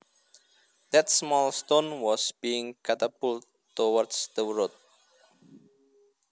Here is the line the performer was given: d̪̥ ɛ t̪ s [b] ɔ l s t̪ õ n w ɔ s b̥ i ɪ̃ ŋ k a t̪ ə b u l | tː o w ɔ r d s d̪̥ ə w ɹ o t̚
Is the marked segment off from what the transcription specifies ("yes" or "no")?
yes